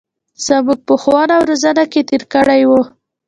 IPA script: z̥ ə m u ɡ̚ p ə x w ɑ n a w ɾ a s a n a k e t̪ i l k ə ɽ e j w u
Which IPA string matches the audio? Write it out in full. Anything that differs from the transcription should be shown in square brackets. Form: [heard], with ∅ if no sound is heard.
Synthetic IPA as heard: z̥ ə m u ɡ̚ p ə x w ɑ n a w ɾ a [z] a n a k e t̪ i [ɾ] k ə ɽ [a] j w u